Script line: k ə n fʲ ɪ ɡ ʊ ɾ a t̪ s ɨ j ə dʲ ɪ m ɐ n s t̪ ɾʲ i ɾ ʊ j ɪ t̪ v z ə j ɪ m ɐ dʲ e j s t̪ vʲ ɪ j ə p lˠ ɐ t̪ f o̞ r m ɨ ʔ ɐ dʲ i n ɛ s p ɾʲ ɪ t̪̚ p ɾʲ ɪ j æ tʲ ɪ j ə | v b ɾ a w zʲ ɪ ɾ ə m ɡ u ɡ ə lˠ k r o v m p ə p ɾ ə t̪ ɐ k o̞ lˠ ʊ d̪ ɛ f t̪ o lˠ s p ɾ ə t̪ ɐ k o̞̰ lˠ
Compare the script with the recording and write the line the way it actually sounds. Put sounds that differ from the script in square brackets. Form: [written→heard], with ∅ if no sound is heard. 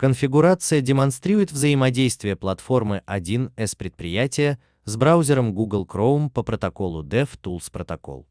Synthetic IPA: k ə n fʲ ɪ ɡ ʊ ɾ a t̪ s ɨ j ə dʲ ɪ m ɐ n s t̪ ɾʲ i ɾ ʊ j ɪ t̪ v z ə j ɪ m ɐ dʲ e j s t̪ vʲ ɪ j ə p lˠ ɐ t̪ f o̞ r m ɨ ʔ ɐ dʲ i n ɛ s p ɾʲ ɪ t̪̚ p ɾʲ ɪ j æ tʲ ɪ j ə | [v→z] b ɾ a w zʲ ɪ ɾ ə m ɡ u ɡ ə lˠ k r o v m p ə p ɾ ə t̪ ɐ k o̞ lˠ ʊ d̪ ɛ f t̪ [o→u] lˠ s p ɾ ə t̪ ɐ k o̞̰ lˠ